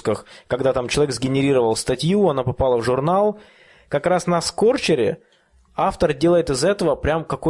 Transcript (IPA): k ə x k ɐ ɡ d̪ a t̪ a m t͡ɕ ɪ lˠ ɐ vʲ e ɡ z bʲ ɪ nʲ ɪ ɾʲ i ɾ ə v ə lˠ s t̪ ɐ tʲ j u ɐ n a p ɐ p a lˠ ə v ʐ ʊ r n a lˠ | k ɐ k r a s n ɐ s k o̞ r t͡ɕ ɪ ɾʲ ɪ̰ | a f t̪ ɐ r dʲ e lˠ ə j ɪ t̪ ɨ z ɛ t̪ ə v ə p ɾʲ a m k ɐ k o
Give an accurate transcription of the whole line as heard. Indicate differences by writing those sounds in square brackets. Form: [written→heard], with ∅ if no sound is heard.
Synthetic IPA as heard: k ə x k ɐ ɡ d̪ a t̪ a m t͡ɕ ɪ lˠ ɐ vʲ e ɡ z [bʲ→ɡʲ] ɪ nʲ ɪ ɾʲ i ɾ ə v ə lˠ s t̪ ɐ tʲ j u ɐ n a p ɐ p a lˠ ə v ʐ ʊ r n a lˠ | k ɐ k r a s n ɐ s k o̞ r t͡ɕ ɪ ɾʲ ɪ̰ | a f t̪ [ɐ→ə] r dʲ e lˠ ə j ɪ t̪ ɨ z ɛ t̪ ə v ə p ɾʲ a m k ɐ k o